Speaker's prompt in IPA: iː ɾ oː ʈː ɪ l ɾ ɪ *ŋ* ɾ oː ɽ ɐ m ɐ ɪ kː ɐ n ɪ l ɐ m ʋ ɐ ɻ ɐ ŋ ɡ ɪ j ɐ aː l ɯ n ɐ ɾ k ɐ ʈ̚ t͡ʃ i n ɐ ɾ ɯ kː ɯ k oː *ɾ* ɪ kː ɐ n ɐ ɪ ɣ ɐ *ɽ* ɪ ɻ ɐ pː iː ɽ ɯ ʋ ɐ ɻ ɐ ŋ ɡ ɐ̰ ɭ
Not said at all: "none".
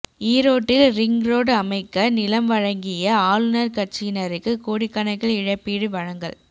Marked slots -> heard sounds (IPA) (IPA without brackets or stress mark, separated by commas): ŋ, ɽ, ɭ